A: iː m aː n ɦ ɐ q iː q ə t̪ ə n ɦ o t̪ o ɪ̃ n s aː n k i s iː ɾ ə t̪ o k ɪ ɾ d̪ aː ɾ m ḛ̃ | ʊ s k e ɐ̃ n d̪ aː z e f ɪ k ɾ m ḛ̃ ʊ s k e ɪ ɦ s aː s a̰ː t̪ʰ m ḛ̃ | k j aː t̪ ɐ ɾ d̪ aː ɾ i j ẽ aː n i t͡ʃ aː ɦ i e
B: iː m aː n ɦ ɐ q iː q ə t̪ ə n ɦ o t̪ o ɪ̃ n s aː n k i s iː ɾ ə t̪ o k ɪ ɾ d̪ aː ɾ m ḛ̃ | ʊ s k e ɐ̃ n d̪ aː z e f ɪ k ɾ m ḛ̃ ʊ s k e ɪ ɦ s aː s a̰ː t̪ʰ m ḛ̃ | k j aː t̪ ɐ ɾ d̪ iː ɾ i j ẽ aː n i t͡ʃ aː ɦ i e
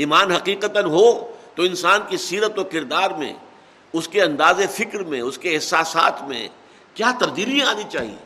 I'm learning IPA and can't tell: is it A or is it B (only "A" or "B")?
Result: B